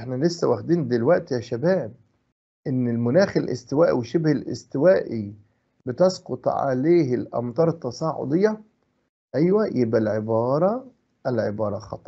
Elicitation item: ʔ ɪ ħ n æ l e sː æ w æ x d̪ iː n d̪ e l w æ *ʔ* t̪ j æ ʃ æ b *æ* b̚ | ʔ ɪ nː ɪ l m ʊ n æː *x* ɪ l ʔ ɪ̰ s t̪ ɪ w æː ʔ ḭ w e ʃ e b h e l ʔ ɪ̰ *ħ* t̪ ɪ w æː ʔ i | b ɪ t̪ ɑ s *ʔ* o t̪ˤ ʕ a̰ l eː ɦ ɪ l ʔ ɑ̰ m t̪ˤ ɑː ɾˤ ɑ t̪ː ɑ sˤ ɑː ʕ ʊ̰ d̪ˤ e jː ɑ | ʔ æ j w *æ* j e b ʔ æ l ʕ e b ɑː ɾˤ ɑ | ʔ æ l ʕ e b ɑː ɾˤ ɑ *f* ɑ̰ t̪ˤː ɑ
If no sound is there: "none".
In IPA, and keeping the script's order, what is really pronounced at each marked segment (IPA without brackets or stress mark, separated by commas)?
ʔ, æː, x, s, q, æ, x